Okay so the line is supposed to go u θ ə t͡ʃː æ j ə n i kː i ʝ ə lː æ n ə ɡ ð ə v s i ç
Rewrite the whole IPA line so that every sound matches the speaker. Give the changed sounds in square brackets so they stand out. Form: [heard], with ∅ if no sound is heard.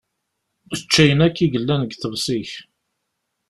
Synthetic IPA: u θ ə t͡ʃː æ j ə n [æ] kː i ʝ ə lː æ n ə ɡ [θ] ə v s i ç